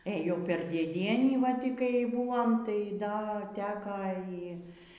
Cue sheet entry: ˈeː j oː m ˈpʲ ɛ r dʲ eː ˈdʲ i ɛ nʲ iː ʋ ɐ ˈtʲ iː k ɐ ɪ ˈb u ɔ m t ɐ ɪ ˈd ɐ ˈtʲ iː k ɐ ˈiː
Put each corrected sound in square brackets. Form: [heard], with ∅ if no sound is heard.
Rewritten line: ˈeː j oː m ˈpʲ ɛ r dʲ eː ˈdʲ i ɛ nʲ iː ʋ ɐ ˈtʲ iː k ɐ ɪ ˈb u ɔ m t ɐ ɪ ˈd ɐ ˈtʲ [æː] k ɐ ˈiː